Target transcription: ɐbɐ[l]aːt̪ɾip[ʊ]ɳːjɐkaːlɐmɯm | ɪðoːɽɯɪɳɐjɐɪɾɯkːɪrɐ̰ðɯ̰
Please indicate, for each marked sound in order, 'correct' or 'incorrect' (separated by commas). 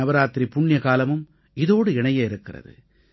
incorrect, correct